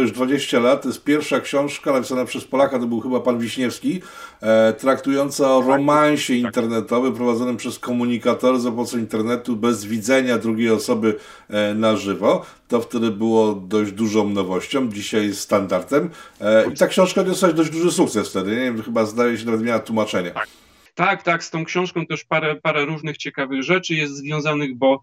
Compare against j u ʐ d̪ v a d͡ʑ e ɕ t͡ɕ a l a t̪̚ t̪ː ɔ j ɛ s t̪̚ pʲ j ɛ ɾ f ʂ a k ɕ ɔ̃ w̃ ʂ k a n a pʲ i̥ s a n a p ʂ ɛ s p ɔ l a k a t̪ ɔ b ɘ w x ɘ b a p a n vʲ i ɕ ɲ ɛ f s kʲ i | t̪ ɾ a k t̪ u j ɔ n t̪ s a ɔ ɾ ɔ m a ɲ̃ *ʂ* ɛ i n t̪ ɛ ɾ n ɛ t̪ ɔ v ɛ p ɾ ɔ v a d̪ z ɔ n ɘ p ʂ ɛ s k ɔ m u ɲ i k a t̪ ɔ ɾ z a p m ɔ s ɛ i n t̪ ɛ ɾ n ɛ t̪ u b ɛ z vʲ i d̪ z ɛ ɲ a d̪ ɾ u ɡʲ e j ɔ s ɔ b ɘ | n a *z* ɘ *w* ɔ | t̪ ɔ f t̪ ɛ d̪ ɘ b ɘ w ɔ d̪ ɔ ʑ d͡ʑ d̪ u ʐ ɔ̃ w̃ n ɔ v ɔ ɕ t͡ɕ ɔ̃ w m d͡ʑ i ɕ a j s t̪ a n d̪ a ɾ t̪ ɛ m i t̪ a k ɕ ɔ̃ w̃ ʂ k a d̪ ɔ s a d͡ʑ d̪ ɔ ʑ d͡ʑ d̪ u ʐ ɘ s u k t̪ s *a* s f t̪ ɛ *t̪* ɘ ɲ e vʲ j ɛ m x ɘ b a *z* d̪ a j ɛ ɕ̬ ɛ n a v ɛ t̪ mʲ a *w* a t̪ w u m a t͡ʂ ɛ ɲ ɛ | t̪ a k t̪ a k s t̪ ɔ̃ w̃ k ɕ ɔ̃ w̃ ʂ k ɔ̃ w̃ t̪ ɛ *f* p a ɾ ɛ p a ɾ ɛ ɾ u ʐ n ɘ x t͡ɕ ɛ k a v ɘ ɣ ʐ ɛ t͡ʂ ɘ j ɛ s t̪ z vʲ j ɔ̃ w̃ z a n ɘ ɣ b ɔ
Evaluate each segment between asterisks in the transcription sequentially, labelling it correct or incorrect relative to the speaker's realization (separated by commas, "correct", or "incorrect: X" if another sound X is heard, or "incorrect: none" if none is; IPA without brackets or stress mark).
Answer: incorrect: ɕ, incorrect: ʐ, incorrect: v, incorrect: ɛ, incorrect: d̪, correct, correct, incorrect: ʂ